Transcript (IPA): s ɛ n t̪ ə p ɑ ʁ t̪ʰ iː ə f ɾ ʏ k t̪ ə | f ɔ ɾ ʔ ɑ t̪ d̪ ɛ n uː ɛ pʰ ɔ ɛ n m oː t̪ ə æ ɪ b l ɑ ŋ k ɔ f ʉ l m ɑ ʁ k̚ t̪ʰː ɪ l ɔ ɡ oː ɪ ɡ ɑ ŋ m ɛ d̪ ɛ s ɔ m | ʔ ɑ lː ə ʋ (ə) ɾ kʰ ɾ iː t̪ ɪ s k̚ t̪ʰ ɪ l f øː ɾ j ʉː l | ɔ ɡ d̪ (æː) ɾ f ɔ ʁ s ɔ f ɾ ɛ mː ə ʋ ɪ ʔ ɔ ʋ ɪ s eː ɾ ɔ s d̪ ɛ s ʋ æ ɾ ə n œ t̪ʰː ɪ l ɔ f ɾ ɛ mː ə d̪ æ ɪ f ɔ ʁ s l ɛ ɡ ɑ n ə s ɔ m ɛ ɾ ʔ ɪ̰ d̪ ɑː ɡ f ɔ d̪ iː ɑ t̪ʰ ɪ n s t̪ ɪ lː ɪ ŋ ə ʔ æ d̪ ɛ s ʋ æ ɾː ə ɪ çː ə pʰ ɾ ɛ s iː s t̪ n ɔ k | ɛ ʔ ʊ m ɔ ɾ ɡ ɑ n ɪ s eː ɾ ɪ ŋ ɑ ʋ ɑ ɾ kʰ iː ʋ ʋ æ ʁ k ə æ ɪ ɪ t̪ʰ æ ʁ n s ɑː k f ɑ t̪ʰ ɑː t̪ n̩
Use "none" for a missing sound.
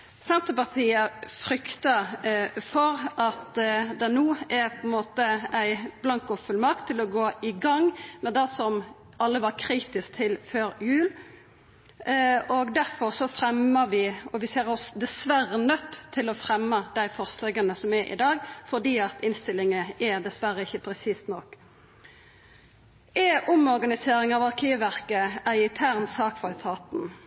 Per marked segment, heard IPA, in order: ɑ, æ

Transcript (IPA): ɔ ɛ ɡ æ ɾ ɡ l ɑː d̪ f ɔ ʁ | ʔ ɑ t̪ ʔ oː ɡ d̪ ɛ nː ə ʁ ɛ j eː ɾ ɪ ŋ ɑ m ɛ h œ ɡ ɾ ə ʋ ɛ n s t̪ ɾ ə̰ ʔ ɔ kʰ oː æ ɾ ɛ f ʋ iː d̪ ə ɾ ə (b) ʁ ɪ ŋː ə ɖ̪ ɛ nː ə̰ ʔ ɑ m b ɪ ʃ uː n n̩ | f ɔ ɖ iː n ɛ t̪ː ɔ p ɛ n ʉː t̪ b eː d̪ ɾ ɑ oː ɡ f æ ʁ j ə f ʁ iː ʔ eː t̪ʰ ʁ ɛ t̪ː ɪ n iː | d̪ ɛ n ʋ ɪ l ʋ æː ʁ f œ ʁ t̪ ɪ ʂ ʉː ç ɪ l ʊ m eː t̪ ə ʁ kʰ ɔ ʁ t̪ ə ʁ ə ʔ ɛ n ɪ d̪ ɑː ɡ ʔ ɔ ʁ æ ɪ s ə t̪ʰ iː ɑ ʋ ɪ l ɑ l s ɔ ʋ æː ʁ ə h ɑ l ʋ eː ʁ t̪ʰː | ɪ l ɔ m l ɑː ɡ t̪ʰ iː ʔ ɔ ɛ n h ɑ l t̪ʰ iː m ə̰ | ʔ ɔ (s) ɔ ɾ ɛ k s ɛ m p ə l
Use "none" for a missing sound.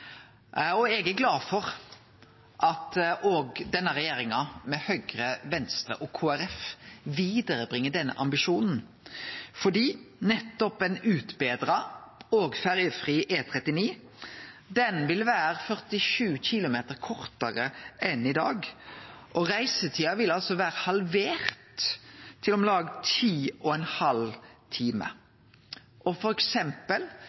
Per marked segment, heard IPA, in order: b, f

